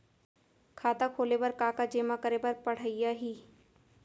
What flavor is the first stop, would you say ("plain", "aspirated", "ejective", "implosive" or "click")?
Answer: aspirated